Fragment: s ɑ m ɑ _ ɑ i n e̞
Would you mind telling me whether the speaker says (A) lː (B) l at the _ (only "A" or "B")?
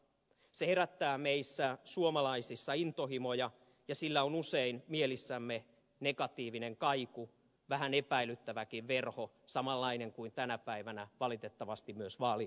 A